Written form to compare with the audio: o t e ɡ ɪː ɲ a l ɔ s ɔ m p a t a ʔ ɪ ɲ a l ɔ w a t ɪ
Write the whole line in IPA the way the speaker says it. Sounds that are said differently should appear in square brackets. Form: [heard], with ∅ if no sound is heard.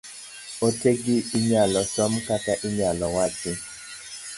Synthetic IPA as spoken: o t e ɡ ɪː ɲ a l ɔ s ɔ m [k] a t a ʔ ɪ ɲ a l ɔ w a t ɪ